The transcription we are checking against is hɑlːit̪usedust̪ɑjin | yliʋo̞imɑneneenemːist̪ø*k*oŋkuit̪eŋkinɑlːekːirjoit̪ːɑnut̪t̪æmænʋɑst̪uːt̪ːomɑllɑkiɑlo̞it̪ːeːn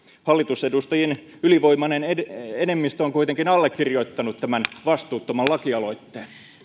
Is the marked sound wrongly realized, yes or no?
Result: yes